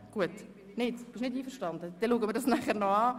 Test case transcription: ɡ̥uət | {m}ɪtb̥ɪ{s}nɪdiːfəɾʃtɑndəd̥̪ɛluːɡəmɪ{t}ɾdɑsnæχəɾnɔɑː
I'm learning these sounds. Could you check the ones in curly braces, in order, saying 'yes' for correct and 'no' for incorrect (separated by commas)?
no, no, no